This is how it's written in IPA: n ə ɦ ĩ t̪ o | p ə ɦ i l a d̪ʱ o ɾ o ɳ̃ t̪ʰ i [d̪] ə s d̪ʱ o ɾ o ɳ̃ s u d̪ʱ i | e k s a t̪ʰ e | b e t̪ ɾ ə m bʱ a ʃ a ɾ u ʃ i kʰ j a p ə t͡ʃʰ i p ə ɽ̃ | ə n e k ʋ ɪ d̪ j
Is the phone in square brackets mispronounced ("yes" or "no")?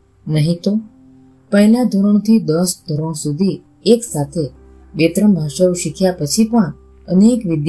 no